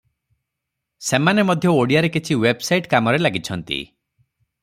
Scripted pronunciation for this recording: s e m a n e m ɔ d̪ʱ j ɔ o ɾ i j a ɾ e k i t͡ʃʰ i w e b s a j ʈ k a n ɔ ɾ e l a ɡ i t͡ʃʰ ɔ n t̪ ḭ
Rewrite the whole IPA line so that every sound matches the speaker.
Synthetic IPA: s e m a n e m ɔ d̪ʱ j ɔ o ɽ i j a ɾ e k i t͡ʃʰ i w e b s a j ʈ k a m ɔ ɾ e l a ɡ i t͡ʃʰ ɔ n t̪ ḭ